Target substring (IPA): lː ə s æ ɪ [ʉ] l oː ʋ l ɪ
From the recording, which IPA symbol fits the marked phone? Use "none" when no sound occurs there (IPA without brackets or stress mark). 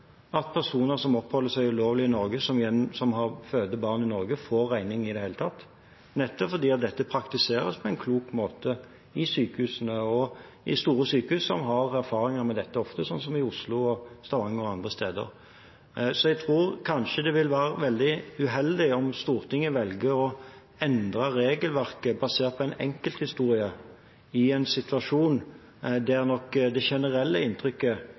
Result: ʉ